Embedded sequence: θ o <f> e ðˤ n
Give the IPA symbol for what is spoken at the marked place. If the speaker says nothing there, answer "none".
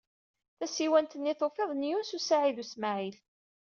f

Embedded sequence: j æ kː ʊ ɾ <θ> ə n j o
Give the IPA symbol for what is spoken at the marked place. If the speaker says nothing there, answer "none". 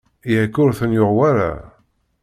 θ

